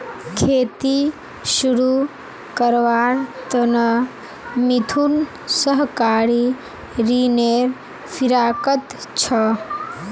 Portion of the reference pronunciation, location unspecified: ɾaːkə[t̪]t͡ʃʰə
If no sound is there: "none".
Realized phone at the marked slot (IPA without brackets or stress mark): t̪